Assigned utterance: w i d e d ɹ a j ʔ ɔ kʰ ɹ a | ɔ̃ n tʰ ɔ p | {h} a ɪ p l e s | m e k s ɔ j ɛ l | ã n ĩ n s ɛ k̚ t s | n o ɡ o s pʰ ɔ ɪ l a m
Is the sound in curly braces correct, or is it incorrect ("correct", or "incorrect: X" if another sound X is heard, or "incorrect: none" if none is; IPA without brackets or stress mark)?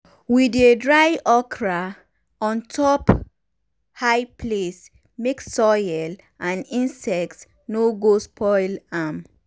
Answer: correct